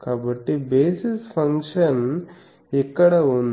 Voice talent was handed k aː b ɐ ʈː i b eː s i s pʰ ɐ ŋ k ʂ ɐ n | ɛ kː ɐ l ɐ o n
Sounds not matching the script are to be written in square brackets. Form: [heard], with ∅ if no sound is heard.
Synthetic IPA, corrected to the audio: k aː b ɐ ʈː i b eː s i s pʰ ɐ ŋ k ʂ ɐ n | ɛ kː ɐ [ɽ] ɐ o n

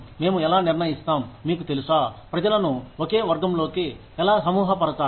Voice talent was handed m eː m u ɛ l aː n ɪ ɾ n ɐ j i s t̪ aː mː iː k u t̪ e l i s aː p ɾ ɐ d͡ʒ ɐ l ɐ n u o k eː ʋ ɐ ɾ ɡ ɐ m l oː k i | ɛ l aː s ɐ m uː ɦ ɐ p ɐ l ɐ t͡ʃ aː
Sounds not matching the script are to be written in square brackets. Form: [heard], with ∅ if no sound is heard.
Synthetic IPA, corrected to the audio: m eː m u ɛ l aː n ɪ ɾ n ɐ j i s t̪ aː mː iː k u t̪ e l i s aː p ɾ ɐ d͡ʒ ɐ l ɐ n u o k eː ʋ ɐ ɾ ɡ ɐ m l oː k i | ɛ l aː s ɐ m uː ɦ ɐ p ɐ [ɾ] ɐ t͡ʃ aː

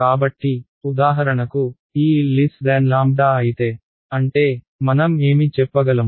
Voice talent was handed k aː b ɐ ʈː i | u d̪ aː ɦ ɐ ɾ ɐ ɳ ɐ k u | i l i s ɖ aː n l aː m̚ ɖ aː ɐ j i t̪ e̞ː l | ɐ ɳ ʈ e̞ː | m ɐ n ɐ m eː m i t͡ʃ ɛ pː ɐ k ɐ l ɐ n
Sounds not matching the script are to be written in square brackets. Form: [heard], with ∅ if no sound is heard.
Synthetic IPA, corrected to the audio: k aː b ɐ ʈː i | u d̪ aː ɦ ɐ ɾ ɐ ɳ ɐ k u | [iː] l i s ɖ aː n l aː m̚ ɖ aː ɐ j i t̪ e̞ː [∅] | ɐ ɳ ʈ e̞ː | m ɐ n ɐ m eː m i t͡ʃ ɛ pː ɐ [ɡ] ɐ l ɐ [m]

